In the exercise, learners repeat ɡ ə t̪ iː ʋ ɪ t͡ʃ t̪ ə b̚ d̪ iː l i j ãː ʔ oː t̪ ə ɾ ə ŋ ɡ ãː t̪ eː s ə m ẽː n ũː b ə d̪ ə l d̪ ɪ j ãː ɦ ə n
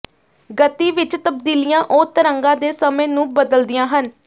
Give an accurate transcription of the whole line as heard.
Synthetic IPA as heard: ɡ ə t̪ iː ʋ ɪ t͡ʃ t̪ ə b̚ d̪ iː l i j ãː ʔ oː t̪ ə ɾ ə ŋ ɡ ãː d̪ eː s ə m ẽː n ũː b ə d̪ ə l d̪ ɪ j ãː ɦ ə n